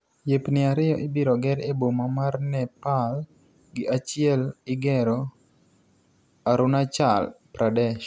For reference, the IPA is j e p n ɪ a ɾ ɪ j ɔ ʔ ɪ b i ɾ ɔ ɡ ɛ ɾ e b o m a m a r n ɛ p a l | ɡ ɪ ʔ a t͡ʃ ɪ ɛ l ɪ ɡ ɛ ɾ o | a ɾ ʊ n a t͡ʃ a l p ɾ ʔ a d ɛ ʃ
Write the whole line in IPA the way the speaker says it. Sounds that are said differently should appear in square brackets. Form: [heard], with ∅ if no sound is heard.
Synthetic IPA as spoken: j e p n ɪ a ɾ ɪ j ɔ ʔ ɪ b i ɾ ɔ ɡ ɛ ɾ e b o m a m a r n ɛ p a l | ɡ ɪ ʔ a t͡ʃ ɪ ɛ l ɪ ɡ ɛ ɾ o | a ɾ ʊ n a t͡ʃ a l p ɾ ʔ a d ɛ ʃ